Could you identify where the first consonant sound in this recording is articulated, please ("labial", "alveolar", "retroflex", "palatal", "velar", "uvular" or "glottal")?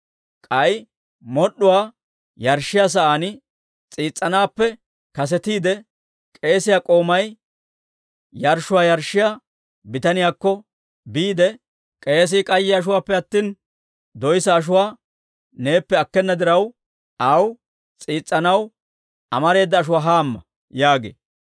velar